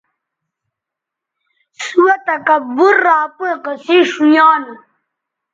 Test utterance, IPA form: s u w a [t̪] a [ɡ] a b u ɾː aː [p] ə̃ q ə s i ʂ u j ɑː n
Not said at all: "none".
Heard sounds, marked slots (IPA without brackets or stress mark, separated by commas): t̪, k, p